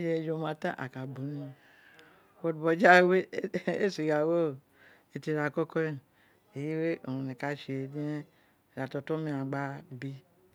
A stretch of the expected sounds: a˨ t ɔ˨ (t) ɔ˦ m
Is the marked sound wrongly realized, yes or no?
no